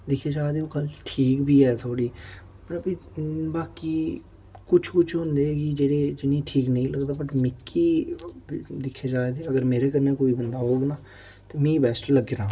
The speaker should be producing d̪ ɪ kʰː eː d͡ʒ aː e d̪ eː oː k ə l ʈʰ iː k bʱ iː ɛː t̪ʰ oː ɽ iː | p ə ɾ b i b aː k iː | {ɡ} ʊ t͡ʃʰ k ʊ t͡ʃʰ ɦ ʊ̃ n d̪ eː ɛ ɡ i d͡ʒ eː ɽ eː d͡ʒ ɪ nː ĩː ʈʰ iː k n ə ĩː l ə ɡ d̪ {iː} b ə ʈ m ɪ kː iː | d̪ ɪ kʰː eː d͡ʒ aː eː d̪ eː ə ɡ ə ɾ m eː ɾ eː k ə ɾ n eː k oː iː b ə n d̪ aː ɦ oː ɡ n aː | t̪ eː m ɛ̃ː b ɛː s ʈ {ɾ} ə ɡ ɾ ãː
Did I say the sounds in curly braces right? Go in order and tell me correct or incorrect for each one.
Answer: incorrect: k, incorrect: aː, incorrect: l

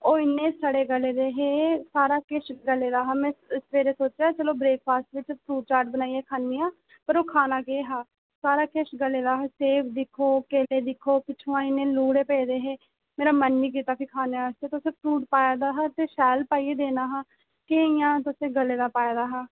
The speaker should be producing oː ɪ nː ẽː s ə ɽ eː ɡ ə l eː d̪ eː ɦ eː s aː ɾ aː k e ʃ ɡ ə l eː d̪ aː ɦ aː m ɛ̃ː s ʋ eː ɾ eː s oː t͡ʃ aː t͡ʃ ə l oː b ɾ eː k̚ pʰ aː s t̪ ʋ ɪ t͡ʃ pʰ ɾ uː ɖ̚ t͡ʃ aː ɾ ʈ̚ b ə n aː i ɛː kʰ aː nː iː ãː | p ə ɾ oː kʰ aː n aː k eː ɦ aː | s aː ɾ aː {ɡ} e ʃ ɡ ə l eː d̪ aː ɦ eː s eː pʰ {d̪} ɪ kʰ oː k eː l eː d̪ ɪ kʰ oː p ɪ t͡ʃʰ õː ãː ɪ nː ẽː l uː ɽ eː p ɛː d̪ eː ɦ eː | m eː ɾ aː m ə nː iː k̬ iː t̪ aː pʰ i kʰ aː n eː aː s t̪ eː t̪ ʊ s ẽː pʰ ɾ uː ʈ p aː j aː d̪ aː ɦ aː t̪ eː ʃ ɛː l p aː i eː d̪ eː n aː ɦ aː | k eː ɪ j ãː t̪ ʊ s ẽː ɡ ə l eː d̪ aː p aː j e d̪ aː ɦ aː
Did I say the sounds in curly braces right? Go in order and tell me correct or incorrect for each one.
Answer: incorrect: k, correct

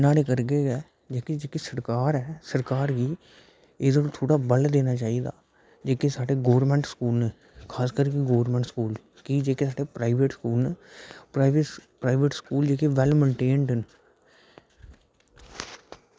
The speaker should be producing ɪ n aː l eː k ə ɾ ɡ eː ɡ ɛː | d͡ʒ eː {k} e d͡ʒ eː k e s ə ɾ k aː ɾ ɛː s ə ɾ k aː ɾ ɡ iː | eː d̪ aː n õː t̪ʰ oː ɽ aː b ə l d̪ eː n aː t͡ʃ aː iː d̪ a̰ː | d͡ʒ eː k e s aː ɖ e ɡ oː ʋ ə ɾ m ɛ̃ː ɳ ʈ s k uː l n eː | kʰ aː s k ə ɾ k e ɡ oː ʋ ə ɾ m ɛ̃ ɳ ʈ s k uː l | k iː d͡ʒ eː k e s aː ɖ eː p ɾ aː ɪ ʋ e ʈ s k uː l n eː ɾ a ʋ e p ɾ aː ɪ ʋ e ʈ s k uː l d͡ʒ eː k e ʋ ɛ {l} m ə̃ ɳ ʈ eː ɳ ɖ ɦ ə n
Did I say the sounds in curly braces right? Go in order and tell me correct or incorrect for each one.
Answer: correct, correct

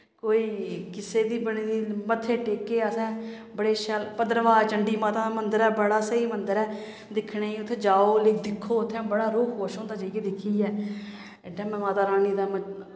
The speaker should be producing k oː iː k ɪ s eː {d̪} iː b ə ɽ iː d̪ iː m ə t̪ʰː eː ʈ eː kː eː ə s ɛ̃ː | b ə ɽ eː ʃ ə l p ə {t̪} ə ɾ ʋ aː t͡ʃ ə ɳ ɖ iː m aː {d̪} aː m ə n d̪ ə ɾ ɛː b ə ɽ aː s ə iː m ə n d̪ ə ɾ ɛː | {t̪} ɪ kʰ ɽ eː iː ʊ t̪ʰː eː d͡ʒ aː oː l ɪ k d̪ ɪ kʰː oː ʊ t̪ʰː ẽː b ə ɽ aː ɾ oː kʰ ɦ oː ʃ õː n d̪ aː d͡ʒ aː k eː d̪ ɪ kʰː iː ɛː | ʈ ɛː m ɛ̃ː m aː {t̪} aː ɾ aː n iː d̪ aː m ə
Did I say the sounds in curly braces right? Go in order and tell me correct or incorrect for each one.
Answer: correct, incorrect: d̪, incorrect: t̪, incorrect: d̪, correct

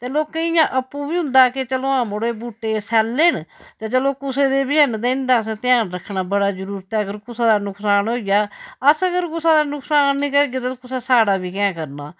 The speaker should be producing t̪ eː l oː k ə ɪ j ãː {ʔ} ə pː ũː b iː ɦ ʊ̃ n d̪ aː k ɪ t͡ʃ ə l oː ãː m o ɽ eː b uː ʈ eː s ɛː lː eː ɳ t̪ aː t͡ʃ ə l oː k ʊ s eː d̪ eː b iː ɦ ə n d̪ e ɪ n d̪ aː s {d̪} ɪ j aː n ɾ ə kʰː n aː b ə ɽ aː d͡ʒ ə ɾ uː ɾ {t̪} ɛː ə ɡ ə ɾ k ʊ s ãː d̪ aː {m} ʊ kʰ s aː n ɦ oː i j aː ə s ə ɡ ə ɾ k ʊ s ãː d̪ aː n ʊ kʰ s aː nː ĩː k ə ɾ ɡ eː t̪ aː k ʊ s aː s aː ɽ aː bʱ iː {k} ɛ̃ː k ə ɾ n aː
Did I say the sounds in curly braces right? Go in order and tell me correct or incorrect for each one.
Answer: correct, incorrect: t̪, correct, incorrect: n, correct

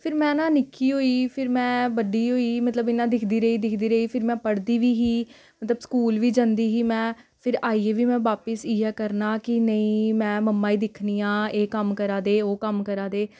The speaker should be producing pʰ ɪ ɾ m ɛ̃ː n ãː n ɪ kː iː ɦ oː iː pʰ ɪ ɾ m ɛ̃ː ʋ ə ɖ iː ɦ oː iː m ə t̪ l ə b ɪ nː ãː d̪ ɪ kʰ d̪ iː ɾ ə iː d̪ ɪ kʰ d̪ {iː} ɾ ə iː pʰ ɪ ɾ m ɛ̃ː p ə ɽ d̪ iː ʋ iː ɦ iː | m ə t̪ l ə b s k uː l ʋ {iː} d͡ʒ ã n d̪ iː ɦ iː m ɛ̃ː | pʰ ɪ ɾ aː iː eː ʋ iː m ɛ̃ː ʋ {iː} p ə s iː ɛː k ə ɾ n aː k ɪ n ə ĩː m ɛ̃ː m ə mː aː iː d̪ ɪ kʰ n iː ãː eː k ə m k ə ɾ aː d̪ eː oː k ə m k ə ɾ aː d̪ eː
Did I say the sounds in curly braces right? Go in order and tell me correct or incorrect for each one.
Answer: correct, correct, incorrect: aː

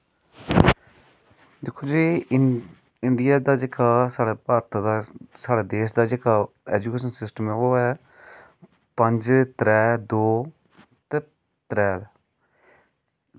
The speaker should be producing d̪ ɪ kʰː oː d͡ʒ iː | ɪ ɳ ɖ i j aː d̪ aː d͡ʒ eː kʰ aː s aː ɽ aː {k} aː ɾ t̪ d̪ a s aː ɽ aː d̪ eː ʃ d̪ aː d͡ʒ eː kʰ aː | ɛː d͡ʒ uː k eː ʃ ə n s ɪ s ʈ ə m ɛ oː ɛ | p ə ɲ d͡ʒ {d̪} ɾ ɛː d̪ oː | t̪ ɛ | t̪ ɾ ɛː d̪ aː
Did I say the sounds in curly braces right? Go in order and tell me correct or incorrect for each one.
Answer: incorrect: p, incorrect: t̪

